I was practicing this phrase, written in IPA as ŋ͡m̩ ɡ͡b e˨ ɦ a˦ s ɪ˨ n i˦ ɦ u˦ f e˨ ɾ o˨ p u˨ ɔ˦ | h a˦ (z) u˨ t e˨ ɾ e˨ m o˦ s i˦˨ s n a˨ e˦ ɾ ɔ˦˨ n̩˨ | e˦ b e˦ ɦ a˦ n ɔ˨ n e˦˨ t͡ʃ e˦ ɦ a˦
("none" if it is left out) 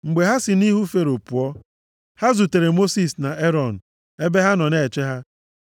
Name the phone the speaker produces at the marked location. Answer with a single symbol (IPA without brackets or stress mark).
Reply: z